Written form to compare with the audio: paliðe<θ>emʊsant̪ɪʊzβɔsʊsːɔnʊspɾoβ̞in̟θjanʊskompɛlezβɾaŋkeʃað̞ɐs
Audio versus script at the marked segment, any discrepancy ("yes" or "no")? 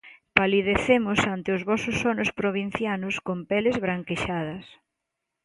no